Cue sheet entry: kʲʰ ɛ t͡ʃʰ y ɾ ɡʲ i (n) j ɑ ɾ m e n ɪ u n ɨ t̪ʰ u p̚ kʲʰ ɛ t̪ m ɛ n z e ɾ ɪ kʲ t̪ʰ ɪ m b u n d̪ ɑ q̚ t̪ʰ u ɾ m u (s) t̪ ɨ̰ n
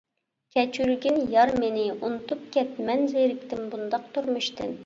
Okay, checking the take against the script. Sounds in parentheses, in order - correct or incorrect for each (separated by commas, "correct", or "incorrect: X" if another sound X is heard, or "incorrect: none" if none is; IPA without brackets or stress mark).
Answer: correct, incorrect: ʃ